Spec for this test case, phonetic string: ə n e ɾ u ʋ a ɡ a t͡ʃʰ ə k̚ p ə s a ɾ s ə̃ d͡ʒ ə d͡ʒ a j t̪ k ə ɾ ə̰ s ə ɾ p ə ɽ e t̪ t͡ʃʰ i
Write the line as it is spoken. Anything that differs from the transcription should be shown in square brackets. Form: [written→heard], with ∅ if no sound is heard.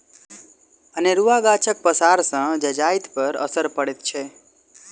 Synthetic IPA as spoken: ə n e ɾ u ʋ a ɡ a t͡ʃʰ ə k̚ p ə s a ɾ s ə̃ d͡ʒ ə d͡ʒ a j t̪ [k→p] ə ɾ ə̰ s ə ɾ p ə ɽ e t̪ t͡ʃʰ [i→e]